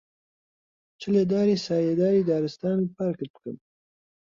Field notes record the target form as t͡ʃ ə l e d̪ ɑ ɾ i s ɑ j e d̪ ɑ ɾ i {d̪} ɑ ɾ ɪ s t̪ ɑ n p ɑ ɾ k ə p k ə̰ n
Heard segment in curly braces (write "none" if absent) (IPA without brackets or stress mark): d̪